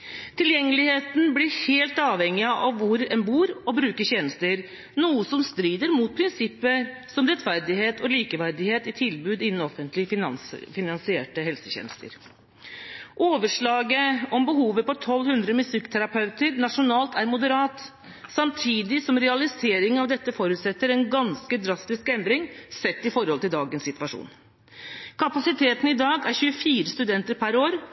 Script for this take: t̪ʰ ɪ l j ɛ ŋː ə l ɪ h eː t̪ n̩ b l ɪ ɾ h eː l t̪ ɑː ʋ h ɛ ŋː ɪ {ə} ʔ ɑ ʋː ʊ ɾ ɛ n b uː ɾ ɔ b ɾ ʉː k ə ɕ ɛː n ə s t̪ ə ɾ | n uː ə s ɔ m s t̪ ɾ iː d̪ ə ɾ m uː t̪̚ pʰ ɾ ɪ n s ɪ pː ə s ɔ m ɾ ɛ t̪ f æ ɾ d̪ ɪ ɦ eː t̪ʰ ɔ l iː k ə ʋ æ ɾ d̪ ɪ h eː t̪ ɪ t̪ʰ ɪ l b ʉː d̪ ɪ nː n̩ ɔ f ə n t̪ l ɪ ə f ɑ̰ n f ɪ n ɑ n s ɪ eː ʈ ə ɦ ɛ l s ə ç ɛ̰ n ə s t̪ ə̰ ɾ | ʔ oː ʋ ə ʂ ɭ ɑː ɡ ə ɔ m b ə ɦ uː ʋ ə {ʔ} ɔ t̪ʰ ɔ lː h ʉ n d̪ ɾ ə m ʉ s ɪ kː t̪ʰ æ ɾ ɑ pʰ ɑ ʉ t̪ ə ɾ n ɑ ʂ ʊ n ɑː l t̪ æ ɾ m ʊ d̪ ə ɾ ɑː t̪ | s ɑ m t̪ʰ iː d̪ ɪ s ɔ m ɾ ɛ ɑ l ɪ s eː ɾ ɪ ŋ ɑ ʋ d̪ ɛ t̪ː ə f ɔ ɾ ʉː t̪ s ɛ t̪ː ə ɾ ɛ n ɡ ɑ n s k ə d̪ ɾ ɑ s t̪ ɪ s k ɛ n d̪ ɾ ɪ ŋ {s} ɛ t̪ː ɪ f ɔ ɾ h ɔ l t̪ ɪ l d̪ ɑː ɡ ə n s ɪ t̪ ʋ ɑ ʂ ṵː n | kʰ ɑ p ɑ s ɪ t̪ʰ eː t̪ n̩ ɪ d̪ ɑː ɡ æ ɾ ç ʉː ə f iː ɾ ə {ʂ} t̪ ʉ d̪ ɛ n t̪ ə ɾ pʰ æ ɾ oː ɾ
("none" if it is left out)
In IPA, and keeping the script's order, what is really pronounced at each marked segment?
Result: ɑ, p, s, s

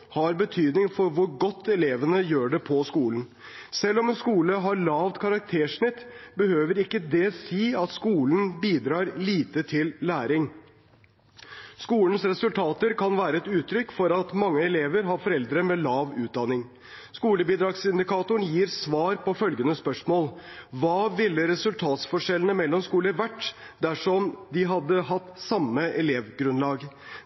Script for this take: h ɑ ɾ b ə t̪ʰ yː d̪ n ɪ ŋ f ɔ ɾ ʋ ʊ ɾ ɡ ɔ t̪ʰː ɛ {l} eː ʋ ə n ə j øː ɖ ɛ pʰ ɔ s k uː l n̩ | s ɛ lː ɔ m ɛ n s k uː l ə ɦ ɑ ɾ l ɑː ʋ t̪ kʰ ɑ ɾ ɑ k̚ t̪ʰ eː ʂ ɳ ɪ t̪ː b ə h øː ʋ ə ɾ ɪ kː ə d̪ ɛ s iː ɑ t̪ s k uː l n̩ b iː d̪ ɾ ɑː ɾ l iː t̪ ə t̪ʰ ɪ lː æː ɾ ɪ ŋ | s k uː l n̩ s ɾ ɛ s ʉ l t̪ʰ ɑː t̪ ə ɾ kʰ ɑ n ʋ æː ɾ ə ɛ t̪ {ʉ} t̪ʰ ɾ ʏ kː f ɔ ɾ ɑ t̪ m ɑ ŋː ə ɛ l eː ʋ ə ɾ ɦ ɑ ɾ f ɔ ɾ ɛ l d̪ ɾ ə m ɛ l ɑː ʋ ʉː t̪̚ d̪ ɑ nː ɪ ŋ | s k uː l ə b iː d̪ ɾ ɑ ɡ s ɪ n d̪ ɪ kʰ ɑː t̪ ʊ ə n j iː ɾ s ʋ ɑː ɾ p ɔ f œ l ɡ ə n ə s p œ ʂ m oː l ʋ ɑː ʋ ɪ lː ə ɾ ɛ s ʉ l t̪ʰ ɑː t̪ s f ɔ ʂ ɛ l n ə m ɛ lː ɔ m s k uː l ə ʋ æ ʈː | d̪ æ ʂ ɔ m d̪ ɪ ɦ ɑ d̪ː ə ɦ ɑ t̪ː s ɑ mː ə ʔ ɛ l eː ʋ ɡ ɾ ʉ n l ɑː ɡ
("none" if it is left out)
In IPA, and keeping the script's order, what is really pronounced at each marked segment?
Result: l, ʉː

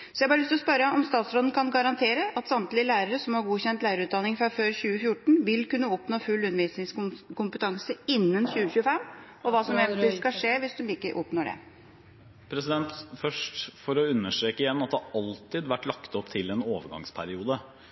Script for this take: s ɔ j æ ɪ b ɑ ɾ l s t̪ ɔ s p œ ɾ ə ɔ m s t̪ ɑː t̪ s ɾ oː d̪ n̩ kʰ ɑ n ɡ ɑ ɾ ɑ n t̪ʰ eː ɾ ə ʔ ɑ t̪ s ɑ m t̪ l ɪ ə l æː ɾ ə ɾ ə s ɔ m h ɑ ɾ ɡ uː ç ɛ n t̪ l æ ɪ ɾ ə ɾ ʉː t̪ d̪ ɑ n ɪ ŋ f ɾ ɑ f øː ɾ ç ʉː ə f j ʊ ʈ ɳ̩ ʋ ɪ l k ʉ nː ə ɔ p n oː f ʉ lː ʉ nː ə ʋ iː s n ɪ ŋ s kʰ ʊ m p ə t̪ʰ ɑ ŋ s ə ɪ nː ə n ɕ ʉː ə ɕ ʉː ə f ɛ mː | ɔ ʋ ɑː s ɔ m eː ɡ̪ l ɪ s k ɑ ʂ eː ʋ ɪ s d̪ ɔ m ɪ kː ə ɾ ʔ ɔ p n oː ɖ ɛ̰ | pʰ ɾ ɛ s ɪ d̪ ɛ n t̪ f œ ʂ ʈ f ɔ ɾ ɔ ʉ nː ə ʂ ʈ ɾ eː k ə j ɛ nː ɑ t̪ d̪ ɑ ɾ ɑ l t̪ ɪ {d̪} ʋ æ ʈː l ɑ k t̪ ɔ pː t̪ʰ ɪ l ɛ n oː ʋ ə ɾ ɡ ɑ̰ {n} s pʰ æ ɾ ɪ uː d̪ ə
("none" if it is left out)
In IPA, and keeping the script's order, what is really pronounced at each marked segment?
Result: d̪, ŋ

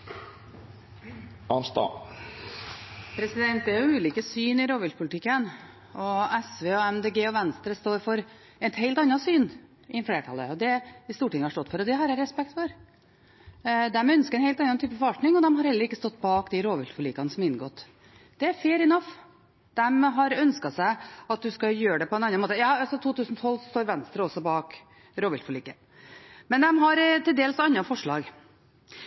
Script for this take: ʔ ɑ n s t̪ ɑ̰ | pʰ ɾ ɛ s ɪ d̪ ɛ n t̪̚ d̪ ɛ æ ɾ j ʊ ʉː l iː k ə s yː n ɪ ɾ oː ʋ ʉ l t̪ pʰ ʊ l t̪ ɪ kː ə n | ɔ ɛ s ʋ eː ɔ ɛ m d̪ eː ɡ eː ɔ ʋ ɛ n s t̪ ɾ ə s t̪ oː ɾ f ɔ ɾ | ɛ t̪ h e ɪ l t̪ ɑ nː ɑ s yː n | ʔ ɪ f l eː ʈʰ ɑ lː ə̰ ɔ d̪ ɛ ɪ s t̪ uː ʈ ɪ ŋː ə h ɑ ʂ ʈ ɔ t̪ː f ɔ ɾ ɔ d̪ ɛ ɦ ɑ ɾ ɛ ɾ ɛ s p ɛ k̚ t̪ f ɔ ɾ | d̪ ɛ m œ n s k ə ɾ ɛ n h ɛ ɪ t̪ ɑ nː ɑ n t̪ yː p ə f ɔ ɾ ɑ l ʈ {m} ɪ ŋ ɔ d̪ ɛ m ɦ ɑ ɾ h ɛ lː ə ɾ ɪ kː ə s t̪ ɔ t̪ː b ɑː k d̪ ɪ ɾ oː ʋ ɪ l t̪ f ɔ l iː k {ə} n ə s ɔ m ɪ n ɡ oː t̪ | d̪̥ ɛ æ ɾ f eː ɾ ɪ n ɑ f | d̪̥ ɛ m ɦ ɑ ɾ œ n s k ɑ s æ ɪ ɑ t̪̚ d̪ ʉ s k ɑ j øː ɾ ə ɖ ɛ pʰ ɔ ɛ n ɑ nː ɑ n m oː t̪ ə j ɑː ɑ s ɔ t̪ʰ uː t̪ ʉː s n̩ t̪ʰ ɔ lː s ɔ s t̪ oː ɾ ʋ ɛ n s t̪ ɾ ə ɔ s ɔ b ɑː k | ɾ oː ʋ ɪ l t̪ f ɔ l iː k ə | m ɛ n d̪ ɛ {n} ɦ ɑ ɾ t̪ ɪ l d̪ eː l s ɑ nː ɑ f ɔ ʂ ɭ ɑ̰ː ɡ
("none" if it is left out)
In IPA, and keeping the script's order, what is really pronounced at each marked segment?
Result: n, ɑ, m

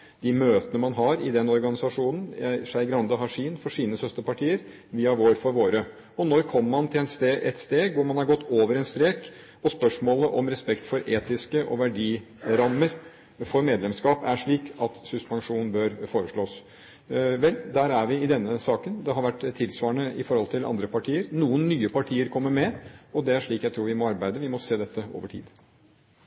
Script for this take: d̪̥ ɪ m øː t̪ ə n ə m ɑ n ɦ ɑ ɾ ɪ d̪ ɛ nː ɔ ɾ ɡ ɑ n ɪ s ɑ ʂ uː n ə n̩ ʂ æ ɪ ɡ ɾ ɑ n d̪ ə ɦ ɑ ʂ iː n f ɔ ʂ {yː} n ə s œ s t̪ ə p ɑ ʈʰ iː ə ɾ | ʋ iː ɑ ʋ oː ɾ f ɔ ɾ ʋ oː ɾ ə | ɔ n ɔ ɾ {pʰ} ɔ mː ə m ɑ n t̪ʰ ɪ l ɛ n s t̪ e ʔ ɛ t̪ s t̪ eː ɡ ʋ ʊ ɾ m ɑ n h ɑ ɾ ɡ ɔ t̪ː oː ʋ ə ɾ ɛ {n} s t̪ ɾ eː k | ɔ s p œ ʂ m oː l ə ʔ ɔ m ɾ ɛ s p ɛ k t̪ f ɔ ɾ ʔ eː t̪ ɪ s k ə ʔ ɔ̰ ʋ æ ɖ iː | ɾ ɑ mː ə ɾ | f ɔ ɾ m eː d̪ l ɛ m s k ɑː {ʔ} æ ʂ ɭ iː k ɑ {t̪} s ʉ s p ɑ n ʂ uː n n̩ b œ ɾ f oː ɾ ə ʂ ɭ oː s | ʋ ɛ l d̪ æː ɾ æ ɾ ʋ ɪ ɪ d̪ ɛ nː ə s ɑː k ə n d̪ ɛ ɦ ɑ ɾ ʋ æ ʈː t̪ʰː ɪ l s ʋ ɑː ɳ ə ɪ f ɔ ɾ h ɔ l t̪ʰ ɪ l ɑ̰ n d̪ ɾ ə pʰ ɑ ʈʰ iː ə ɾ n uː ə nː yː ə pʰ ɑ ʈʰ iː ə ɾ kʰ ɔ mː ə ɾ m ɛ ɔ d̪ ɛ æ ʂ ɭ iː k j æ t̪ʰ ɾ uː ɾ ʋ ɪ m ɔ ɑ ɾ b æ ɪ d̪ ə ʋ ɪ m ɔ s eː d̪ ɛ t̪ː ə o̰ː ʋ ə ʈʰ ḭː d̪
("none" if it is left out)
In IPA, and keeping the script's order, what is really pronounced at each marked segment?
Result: iː, kʰ, n, p, t̪

